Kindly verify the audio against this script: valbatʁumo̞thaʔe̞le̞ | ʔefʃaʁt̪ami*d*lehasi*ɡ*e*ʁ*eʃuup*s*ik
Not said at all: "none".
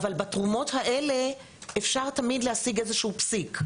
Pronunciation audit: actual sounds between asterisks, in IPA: d, ɡ, z, s

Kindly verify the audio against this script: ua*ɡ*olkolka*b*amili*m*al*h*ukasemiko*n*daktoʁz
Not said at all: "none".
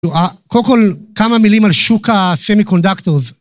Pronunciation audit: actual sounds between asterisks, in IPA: k, m, m, ʃ, n

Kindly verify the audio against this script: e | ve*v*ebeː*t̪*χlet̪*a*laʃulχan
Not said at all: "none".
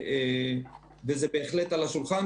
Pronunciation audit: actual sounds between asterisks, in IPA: z, none, a

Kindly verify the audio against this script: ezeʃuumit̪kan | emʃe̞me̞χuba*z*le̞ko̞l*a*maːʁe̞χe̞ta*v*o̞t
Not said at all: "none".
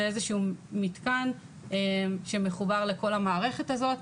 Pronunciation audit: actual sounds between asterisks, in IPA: ʁ, a, z

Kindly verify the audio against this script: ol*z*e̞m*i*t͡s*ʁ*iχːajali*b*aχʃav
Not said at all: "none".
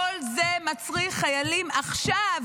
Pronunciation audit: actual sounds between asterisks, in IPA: z, a, ʁ, m

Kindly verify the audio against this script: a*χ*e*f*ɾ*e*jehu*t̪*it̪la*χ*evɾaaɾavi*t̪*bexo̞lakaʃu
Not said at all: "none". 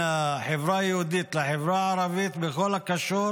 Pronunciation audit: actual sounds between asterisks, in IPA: ħ, v, a, d̪, ħ, t̪

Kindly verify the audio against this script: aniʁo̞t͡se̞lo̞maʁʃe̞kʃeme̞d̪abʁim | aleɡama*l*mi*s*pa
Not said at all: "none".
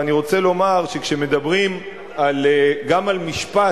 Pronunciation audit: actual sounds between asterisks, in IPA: l, ʃ

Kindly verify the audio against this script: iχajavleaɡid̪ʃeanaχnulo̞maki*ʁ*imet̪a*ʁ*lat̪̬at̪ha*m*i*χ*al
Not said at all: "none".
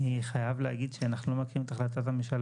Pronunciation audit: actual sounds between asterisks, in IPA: ʁ, χ, m, ʃ

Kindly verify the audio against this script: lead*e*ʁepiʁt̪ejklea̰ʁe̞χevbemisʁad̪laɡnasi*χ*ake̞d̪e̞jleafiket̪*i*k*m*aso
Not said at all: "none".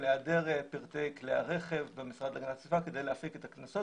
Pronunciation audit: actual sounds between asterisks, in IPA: e, f, a, n

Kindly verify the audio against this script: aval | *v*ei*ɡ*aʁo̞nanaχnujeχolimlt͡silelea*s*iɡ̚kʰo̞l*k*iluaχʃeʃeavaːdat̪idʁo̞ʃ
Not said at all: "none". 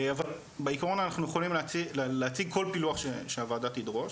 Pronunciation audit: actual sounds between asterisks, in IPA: b, k, t͡s, p

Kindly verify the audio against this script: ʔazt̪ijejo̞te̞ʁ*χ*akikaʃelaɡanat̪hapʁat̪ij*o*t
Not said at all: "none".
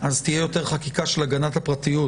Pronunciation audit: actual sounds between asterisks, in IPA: χ, u

